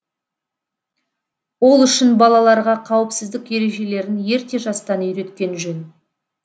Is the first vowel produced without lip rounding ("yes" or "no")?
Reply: no